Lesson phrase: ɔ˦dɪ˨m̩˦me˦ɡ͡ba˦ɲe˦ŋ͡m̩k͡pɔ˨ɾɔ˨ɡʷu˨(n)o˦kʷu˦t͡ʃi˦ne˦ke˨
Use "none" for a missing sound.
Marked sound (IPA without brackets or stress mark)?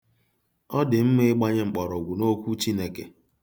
n